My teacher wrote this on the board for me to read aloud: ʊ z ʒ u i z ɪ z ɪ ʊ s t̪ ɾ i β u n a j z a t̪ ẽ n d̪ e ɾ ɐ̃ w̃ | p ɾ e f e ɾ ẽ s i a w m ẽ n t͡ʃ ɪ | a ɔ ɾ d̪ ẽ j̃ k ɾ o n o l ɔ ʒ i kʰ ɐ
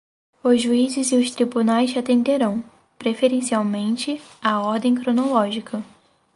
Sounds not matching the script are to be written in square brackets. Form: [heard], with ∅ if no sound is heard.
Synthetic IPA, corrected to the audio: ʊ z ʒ u i z ɪ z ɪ ʊ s t̪ ɾ i [b] u n a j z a t̪ ẽ n d̪ e ɾ ɐ̃ w̃ | p ɾ e f e ɾ ẽ s i a w m ẽ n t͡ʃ ɪ | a ɔ ɾ d̪ ẽ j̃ k ɾ o n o l ɔ ʒ i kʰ ɐ